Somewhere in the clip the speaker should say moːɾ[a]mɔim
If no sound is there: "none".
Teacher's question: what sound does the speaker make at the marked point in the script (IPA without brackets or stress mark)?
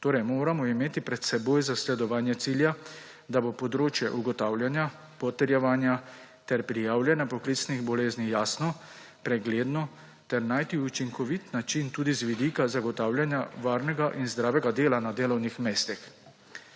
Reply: a